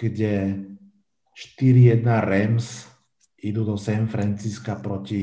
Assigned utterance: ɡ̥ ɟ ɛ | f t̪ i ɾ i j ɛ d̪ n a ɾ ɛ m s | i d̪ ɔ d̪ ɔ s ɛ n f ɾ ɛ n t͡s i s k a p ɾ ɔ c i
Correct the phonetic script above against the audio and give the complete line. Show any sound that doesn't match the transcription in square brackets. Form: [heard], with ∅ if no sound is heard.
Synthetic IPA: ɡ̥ ɟ ɛ | [ʃ] t̪ i ɾ i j ɛ d̪ n a ɾ ɛ m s | i d̪ [u] d̪ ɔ s ɛ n f ɾ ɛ n t͡s i s k a p ɾ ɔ c i